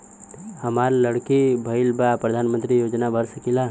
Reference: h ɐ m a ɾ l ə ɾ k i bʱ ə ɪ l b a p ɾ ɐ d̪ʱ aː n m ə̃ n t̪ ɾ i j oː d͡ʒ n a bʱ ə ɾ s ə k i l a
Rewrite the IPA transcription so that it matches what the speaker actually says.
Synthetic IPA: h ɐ m a ɾ l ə ɽ k i bʱ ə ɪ l b a p ɾ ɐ d̪ʱ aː n m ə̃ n t̪ ɾ i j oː d͡ʒ n a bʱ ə ɾ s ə k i l a